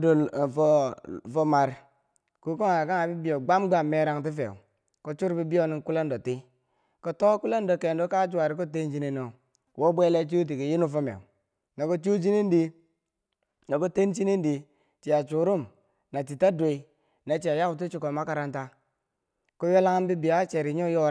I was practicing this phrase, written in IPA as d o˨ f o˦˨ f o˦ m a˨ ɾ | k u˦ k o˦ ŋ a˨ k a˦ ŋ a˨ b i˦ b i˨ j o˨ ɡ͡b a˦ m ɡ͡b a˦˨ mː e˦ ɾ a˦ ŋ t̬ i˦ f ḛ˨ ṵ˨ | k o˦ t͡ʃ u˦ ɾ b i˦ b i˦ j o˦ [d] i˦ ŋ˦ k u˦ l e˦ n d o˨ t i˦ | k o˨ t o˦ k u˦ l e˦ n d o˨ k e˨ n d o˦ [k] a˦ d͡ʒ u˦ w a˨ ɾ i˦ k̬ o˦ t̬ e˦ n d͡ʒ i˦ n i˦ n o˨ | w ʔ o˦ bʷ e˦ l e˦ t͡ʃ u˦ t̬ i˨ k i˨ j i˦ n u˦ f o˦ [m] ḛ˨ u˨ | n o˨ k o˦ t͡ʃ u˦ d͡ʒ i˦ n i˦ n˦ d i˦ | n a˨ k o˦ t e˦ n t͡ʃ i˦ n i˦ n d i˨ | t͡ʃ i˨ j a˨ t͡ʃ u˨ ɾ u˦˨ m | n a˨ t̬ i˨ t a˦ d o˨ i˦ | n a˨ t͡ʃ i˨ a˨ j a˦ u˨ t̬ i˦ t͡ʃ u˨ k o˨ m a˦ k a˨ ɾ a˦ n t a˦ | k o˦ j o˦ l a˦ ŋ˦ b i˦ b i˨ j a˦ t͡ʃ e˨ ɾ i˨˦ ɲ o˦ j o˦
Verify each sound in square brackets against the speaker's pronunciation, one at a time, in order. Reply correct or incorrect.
incorrect: n, correct, correct

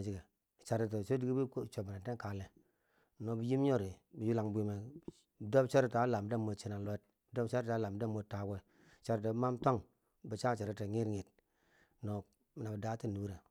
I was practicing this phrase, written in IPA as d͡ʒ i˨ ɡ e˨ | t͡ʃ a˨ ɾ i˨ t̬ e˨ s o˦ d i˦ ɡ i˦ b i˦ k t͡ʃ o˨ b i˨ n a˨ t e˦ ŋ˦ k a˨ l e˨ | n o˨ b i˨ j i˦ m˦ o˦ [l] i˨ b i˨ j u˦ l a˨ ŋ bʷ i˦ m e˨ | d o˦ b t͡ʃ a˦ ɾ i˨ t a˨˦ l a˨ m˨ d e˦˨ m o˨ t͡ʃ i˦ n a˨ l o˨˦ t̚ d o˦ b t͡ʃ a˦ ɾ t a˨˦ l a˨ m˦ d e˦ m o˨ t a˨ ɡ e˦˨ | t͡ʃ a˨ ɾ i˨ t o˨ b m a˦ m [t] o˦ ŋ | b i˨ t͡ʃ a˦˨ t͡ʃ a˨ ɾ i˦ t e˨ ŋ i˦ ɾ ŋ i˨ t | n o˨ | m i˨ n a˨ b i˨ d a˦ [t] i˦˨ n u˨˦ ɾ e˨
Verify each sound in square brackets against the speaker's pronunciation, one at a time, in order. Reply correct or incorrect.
incorrect: ɾ, correct, correct

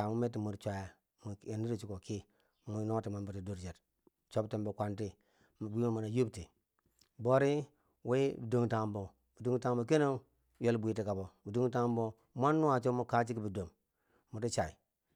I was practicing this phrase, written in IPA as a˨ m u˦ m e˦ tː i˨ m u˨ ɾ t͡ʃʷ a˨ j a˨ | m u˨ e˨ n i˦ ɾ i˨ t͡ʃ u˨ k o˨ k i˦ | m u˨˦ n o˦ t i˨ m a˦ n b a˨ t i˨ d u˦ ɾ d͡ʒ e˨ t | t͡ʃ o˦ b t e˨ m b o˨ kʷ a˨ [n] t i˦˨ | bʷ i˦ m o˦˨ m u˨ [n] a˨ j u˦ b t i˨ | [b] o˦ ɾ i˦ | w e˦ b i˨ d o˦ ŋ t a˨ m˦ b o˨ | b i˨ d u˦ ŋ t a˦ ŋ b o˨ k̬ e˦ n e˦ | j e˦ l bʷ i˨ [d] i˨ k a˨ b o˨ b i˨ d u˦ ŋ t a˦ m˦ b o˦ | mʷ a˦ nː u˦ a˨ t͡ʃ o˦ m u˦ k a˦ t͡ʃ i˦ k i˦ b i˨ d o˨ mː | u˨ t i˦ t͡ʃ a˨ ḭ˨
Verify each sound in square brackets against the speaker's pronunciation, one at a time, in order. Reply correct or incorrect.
correct, correct, correct, incorrect: t

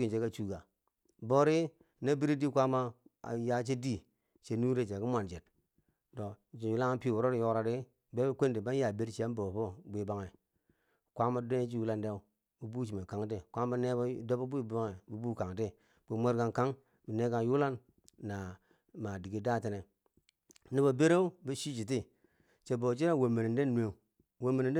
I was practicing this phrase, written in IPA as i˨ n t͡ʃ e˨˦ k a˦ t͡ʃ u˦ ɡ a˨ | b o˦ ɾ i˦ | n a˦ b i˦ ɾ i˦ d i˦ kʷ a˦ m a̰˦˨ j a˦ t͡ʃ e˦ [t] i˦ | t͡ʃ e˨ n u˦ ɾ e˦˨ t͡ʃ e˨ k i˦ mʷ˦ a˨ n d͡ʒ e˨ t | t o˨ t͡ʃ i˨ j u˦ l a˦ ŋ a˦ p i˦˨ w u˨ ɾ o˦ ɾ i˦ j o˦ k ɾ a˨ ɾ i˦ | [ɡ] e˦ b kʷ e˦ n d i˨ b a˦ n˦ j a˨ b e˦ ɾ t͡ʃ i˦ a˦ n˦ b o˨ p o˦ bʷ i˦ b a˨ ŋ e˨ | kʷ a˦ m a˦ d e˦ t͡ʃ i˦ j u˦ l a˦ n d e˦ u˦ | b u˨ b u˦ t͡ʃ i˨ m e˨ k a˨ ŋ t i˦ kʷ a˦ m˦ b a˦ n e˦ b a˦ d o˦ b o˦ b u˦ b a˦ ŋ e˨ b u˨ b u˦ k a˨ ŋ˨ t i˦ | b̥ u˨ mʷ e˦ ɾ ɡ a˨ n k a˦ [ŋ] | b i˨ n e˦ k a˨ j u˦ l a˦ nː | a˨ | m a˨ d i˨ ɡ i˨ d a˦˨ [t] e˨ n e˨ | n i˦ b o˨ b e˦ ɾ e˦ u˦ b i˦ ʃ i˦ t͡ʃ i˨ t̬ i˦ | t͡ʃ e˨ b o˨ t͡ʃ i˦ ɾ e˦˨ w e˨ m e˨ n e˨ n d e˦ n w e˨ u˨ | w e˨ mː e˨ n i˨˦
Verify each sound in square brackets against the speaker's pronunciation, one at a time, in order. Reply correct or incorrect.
incorrect: d, incorrect: b, correct, correct

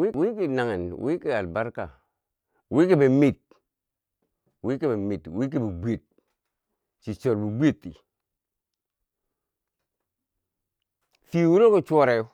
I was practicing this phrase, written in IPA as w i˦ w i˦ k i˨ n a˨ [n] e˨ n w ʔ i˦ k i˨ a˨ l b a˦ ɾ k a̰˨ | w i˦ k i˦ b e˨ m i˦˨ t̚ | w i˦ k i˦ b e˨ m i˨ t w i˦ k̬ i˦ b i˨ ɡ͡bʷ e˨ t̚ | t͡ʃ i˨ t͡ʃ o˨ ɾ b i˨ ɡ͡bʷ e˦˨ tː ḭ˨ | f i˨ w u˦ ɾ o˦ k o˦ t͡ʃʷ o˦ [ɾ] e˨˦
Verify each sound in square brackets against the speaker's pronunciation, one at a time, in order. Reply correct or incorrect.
incorrect: ŋ, correct

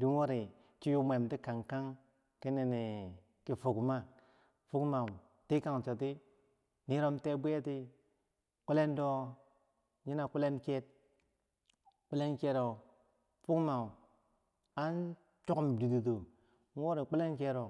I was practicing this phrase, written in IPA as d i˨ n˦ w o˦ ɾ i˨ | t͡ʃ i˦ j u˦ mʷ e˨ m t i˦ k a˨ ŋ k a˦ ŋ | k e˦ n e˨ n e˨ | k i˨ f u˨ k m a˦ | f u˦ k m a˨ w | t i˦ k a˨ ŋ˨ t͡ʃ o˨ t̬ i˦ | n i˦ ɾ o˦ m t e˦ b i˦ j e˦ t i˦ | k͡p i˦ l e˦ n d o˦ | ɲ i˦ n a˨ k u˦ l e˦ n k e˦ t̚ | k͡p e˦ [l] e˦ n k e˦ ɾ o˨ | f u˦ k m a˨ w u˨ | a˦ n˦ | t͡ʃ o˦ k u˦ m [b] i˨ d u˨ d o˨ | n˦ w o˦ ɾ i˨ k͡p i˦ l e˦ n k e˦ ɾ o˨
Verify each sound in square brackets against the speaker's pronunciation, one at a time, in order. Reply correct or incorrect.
correct, incorrect: d

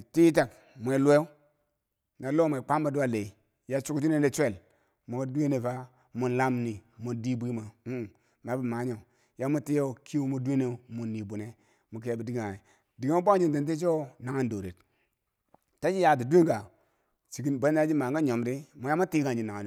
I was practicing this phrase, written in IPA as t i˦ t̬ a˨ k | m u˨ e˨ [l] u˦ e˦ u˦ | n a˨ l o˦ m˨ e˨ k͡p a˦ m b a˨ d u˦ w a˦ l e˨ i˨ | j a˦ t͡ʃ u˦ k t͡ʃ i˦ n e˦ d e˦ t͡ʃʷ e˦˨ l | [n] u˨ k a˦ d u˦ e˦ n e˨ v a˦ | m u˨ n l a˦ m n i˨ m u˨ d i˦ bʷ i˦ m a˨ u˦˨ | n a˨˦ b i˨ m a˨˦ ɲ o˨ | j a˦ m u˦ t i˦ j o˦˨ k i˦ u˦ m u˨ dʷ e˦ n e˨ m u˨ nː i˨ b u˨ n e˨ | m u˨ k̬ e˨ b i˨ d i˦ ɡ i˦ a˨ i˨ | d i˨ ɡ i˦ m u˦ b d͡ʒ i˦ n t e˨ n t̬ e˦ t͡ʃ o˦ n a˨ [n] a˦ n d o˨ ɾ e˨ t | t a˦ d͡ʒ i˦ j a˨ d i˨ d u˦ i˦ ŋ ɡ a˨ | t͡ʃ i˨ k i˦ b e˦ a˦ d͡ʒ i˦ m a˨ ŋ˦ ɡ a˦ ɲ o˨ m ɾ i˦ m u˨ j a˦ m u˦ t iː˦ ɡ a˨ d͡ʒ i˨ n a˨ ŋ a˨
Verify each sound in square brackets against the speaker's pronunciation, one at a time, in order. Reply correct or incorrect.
correct, incorrect: m, incorrect: ŋ

